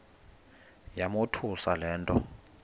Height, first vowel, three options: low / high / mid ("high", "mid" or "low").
low